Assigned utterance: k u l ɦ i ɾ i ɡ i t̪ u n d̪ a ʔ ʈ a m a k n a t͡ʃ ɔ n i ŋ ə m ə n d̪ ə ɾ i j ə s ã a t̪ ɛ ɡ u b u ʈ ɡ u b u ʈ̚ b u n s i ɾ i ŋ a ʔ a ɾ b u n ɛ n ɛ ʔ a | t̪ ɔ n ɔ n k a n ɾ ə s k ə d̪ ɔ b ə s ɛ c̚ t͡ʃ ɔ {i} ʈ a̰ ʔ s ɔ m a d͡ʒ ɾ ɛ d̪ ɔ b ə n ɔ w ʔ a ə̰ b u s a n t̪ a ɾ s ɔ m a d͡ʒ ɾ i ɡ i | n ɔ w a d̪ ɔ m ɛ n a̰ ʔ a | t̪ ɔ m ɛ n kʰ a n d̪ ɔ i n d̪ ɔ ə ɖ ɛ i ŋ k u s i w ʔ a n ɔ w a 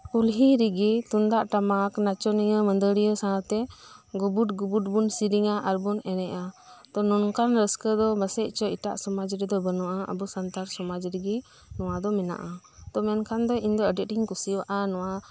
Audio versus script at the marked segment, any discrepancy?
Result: no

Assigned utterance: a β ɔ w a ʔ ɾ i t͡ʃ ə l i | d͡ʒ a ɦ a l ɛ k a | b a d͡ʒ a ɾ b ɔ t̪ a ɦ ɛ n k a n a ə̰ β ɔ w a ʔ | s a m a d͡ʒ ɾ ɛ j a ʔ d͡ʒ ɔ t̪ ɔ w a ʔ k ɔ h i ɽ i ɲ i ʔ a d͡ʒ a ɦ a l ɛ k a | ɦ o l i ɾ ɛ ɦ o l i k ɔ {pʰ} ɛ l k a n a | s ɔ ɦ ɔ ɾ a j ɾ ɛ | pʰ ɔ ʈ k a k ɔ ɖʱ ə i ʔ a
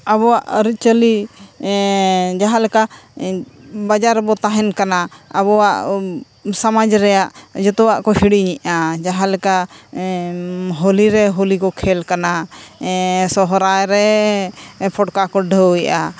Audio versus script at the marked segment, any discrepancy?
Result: yes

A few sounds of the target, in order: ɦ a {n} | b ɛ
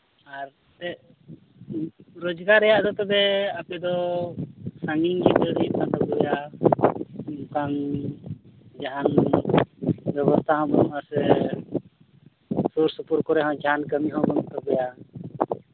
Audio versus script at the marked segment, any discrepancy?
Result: no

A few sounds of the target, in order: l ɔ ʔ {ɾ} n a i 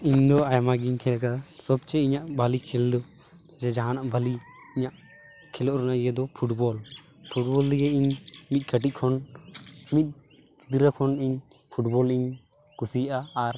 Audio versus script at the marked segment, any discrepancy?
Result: no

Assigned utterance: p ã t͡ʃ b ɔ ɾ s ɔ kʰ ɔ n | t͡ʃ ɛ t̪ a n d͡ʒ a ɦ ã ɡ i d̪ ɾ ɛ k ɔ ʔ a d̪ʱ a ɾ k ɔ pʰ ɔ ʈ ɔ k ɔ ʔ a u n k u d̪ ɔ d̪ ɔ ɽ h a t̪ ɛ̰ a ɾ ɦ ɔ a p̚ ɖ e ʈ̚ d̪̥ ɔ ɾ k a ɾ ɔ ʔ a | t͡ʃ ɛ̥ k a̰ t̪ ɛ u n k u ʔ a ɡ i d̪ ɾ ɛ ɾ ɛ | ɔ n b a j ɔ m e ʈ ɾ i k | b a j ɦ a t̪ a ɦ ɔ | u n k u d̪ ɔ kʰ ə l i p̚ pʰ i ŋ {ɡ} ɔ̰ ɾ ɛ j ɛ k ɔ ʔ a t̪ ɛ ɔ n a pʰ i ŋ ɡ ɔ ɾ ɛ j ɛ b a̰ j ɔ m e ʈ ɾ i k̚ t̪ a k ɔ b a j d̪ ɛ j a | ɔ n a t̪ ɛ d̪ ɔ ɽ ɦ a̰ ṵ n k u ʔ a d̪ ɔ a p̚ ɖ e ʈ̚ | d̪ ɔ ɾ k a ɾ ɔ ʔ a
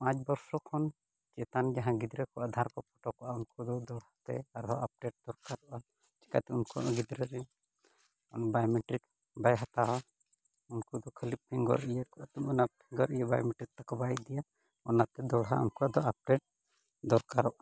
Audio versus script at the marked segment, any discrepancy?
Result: no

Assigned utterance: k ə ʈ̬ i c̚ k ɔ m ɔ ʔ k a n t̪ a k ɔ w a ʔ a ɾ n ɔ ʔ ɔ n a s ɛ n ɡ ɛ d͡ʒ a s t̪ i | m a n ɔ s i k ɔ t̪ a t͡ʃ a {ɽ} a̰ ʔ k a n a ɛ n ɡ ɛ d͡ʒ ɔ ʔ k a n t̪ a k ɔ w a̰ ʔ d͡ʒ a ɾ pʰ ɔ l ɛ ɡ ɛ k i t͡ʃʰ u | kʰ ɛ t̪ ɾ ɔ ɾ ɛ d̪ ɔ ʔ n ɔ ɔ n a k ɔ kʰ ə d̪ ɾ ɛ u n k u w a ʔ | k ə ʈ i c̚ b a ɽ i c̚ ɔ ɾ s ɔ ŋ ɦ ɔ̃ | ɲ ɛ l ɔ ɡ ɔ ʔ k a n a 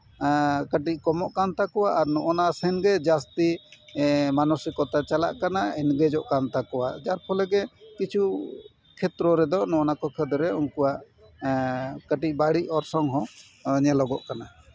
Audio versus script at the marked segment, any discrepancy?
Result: yes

